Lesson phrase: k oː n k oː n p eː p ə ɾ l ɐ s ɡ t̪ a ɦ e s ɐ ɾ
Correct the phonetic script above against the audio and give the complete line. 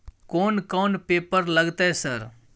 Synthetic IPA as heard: k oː n k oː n p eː p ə ɾ l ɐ ɡ t̪ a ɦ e s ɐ ɾ